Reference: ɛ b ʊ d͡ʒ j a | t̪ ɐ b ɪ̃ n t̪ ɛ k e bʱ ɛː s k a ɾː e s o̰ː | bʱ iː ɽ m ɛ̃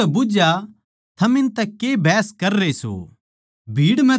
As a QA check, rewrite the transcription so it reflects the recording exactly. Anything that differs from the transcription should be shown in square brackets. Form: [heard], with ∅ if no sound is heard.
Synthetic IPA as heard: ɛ b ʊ d͡ʒ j a | [t̪ʰ] ɐ [m] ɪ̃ n t̪ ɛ k e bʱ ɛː s k [ɐ] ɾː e s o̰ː | bʱ iː ɽ m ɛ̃